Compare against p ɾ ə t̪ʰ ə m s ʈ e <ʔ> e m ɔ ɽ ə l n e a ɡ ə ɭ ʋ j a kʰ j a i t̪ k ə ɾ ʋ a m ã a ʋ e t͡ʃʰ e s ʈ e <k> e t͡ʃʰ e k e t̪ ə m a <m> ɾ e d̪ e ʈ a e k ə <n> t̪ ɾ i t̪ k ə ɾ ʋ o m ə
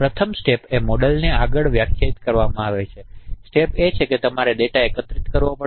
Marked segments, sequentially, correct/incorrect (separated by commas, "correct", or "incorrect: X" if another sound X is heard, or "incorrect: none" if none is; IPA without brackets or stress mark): incorrect: p, incorrect: p, incorrect: none, incorrect: none